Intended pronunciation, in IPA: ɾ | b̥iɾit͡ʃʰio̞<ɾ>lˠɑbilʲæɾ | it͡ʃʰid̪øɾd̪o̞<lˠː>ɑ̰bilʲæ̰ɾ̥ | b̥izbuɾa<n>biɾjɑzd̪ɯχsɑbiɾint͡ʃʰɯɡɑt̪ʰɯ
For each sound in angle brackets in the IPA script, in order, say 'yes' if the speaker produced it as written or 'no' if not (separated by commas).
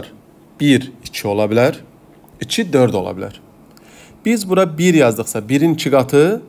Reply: no, no, no